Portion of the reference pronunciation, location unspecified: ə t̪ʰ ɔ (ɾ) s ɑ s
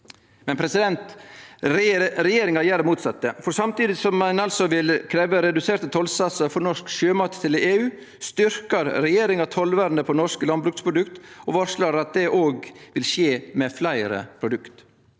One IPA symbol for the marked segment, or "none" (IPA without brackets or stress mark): l